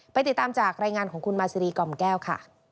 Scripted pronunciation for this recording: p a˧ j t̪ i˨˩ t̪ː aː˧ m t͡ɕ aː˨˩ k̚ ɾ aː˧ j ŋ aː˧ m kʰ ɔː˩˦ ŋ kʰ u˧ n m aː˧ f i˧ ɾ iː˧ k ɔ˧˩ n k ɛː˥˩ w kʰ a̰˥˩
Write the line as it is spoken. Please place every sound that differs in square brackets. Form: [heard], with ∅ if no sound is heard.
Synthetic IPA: p a˧ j t̪ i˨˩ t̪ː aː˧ m t͡ɕ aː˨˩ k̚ ɾ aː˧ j ŋ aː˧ [n] kʰ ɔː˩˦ ŋ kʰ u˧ n m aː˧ [s] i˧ ɾ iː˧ k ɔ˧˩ [m] k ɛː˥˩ w kʰ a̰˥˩